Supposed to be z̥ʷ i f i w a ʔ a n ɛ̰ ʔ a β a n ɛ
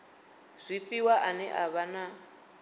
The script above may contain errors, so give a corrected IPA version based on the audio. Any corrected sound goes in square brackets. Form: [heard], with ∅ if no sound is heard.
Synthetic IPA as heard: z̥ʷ i f i w a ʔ a n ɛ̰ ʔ a β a n [a]